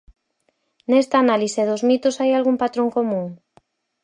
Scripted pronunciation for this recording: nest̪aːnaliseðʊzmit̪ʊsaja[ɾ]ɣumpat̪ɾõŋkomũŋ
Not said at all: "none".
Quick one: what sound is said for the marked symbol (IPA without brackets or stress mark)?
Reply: l